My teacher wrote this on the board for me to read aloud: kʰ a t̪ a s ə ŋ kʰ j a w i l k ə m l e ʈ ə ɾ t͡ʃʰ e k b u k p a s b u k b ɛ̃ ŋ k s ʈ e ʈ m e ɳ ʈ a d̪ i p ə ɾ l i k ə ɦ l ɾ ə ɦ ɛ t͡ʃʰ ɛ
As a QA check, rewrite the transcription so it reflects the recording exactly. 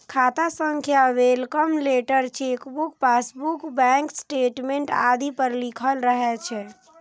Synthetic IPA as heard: kʰ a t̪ a s ə ŋ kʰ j a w e l k ə m l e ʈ ə ɾ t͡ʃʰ e k b u k p a s b u k b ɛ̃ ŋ k s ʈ e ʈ m e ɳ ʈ a d̪ i p ə ɾ l i kʰ ə l ɾ ə ɦ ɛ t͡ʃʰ ɛ